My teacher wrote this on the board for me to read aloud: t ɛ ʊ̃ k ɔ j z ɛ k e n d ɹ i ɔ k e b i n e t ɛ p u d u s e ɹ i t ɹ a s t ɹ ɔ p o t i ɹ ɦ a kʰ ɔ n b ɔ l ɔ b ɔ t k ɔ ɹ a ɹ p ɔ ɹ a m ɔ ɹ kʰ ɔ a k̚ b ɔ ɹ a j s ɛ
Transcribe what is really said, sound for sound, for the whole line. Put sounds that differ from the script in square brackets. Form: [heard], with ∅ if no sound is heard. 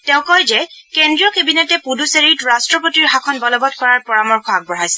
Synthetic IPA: t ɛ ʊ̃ k ɔ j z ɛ k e n d ɹ i ɔ k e b i n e t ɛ p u d u s e ɹ i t ɹ a s t ɹ ɔ p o t i ɹ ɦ a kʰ ɔ n b ɔ l ɔ b ɔ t k ɔ ɹ a ɹ p ɔ ɹ a m ɔ ɹ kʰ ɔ a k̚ b ɔ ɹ a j s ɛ